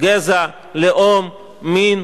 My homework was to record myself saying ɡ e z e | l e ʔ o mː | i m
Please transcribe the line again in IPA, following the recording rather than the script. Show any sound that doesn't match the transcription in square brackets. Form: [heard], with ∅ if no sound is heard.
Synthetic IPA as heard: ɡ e z [a] | l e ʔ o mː | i [n]